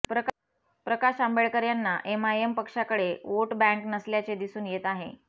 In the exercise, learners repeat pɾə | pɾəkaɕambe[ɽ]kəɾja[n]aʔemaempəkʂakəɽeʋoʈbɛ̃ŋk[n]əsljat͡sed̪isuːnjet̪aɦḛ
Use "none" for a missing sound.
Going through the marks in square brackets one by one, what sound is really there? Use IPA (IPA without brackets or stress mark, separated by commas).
ɭ, nː, n